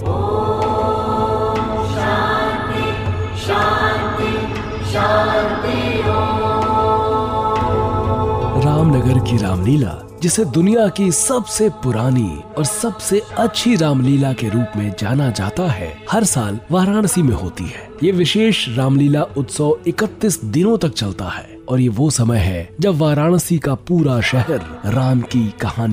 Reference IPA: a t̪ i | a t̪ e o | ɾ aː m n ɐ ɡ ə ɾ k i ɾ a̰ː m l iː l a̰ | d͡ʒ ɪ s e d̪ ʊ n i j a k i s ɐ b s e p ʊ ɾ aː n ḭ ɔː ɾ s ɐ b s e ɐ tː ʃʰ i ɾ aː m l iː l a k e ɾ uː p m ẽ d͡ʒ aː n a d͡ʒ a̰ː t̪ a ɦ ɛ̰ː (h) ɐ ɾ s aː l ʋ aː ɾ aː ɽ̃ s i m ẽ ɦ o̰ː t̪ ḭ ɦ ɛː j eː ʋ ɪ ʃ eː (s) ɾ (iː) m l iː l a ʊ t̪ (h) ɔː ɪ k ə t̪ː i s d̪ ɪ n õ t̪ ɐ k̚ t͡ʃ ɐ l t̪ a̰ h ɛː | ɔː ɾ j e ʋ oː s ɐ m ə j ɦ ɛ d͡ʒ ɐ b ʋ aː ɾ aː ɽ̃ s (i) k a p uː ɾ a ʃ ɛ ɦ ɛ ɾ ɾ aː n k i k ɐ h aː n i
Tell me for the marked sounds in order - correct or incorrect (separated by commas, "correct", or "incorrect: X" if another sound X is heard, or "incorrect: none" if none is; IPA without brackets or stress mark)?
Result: correct, incorrect: ʃ, incorrect: aː, incorrect: s, correct